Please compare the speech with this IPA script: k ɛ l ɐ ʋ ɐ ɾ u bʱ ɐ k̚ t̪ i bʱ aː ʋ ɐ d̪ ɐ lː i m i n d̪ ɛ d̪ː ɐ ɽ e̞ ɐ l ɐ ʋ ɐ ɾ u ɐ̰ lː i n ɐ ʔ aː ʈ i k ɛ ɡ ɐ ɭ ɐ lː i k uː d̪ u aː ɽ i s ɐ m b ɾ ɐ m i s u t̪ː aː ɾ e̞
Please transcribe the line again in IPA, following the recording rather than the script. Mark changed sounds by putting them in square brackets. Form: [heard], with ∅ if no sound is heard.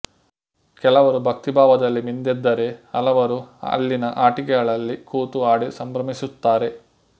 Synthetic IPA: k ɛ l ɐ ʋ ɐ ɾ u bʱ ɐ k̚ t̪ i bʱ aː ʋ ɐ d̪ ɐ lː i m i n d̪ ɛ d̪ː ɐ [ɾ] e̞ ɐ l ɐ ʋ ɐ ɾ u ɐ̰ lː i n ɐ ʔ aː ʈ i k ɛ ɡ ɐ ɭ ɐ lː i k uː [t̪] u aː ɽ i s ɐ m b ɾ ɐ m i s u t̪ː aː ɾ e̞